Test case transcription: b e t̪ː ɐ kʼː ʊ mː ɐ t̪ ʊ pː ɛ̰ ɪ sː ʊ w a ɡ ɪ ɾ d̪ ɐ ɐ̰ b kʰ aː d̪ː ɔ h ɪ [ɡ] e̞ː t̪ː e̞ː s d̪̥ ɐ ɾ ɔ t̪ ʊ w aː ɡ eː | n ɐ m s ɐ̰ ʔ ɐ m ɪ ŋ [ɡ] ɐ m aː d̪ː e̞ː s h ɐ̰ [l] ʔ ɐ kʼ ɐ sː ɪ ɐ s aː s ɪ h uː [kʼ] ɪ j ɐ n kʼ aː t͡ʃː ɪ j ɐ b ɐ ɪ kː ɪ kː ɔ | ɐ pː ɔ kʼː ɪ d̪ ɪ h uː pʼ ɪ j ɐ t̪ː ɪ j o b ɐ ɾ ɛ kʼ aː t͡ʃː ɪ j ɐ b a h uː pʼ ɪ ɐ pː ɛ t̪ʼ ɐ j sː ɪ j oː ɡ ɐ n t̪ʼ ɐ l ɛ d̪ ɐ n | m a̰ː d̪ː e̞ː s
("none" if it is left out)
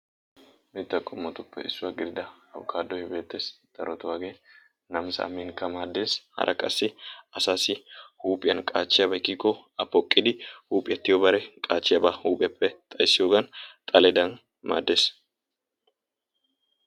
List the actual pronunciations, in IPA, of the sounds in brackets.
b, k, ɾ, pʼ

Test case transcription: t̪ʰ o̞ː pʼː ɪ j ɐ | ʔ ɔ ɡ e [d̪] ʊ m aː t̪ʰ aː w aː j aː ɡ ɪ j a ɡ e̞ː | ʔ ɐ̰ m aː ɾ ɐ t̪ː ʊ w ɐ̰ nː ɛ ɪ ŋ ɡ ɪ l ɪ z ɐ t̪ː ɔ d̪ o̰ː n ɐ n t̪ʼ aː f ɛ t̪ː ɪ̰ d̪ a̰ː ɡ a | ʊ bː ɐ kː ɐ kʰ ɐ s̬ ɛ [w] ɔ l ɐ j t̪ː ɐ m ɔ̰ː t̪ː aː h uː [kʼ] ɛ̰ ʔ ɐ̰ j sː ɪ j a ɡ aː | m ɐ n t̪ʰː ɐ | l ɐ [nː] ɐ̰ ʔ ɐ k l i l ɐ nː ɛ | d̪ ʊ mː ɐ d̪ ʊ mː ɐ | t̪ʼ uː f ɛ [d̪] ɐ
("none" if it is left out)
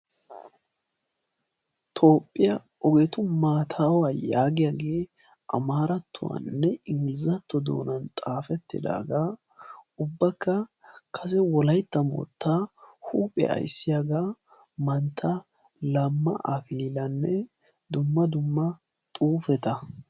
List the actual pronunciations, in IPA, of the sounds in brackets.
t̪, w, pʼ, mː, t̪

